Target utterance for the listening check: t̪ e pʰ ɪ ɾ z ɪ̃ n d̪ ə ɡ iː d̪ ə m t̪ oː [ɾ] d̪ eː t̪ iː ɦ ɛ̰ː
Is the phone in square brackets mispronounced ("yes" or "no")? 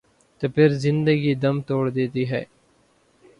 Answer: yes